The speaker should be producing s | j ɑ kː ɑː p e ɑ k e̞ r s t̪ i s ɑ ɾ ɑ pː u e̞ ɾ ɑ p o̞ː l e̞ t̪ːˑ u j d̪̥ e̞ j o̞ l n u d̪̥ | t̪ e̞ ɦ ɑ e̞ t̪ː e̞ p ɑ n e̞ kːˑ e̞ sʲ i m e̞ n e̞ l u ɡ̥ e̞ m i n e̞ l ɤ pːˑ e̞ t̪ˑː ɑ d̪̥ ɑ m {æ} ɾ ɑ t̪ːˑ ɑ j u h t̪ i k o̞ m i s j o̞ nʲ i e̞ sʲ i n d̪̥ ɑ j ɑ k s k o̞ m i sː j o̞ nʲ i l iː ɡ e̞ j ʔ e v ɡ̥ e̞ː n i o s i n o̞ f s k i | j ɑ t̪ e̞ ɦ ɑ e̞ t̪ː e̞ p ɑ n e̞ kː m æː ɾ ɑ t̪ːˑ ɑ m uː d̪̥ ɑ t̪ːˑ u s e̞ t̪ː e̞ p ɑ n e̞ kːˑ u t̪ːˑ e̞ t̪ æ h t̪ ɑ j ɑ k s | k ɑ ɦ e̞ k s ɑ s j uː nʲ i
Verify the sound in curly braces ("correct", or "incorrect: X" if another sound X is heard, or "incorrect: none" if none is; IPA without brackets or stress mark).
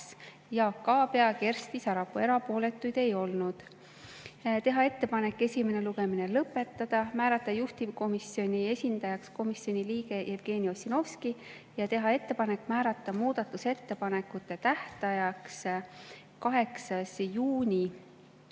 incorrect: æː